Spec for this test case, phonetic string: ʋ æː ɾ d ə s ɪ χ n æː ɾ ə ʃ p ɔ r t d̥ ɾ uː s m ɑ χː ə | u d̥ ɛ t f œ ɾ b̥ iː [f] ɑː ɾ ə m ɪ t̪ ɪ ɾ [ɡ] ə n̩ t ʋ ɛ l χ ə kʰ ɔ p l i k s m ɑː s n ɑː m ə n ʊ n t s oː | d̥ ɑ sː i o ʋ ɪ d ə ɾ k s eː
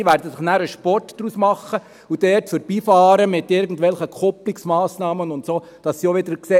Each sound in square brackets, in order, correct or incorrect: correct, correct

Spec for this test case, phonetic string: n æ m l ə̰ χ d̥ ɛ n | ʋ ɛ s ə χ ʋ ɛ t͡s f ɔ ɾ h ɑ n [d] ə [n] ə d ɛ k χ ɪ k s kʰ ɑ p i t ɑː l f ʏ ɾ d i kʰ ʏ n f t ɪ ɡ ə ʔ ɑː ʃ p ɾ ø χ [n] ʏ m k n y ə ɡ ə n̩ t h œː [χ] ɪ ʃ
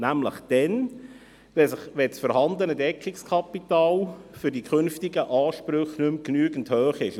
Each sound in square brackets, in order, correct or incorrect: correct, correct, correct, correct

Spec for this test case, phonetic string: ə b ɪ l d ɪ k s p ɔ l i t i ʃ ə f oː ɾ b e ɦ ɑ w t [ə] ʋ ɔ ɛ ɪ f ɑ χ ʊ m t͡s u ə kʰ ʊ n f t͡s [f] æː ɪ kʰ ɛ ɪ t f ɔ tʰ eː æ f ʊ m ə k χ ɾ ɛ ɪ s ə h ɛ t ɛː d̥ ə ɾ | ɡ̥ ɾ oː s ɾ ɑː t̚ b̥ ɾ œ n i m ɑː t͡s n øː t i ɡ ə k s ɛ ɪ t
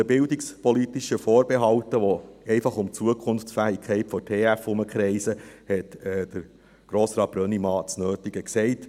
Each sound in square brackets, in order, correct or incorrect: correct, correct

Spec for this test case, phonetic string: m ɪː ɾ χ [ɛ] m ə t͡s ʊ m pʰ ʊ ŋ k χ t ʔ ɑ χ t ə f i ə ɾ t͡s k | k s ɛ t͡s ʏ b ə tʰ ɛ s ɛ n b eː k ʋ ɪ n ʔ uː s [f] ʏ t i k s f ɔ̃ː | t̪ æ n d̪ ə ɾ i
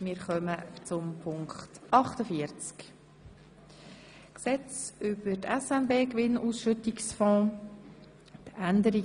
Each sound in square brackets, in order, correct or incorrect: incorrect: œ, incorrect: ʃ

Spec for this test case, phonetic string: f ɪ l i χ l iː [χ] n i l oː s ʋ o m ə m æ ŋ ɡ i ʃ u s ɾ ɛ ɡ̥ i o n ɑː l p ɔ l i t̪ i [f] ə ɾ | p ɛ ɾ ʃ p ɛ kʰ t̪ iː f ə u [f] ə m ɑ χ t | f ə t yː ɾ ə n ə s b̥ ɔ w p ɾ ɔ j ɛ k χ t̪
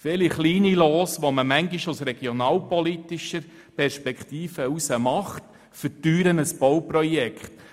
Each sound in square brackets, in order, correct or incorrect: incorrect: none, incorrect: ʃ, incorrect: s

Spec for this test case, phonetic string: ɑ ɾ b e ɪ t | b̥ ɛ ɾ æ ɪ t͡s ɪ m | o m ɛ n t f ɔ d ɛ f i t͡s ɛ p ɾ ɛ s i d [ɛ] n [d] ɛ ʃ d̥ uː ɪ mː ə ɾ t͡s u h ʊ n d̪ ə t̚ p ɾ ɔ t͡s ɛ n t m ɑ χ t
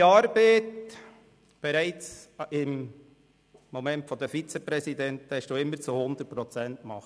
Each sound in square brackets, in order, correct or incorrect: correct, incorrect: t

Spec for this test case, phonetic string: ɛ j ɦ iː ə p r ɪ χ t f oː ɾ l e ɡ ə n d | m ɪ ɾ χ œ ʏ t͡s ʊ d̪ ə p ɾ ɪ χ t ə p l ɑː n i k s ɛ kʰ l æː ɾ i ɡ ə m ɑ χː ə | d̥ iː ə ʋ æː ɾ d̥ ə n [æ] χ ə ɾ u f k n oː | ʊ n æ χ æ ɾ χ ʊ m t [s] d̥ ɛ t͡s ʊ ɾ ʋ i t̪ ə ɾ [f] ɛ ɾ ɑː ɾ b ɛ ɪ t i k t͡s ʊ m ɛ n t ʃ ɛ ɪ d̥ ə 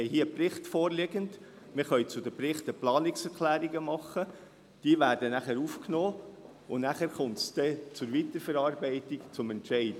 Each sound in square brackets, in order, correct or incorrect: correct, correct, correct

